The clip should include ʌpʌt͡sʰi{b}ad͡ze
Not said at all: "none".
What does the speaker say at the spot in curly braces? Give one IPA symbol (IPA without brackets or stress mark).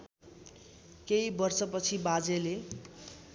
b